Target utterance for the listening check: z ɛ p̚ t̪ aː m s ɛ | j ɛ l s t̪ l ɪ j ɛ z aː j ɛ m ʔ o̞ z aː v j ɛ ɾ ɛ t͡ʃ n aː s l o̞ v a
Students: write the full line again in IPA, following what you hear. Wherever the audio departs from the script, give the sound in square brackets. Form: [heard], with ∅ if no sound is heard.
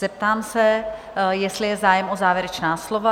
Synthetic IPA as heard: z ɛ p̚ t̪ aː m s ɛ | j ɛ [∅] s t̪ l ɪ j ɛ z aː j ɛ m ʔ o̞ z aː v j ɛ ɾ ɛ t͡ʃ n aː s l o̞ v a